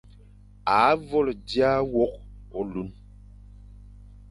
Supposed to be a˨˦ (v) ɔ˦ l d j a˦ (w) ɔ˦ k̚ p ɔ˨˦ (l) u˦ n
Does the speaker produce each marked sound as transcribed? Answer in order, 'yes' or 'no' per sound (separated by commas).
yes, yes, yes